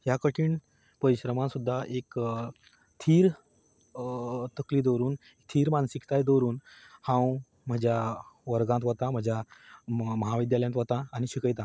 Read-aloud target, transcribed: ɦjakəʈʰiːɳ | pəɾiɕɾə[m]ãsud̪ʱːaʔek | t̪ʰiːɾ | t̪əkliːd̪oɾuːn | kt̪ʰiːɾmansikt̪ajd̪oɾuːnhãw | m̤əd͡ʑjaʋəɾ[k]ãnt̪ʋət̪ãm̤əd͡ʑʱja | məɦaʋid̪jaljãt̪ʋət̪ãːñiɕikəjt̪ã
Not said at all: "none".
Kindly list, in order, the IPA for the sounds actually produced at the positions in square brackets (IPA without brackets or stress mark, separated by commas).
m, ɡ